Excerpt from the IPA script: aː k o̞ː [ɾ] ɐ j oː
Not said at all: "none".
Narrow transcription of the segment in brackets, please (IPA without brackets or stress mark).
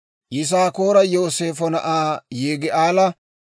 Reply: ɾ